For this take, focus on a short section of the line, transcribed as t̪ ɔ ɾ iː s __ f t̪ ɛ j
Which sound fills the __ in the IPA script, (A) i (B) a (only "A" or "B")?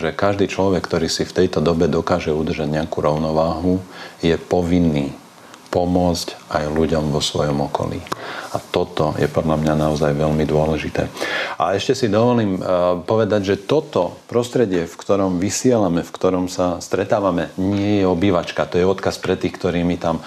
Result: A